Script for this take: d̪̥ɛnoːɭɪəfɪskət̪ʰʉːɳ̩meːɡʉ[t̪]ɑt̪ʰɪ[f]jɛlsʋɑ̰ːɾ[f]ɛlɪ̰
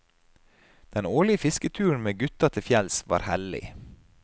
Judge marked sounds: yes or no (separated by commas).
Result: yes, yes, no